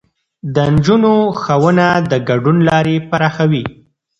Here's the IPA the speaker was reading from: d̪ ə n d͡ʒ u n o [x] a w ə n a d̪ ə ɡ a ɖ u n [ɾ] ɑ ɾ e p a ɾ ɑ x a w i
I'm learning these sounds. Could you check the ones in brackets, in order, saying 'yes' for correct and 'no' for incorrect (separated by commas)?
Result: yes, no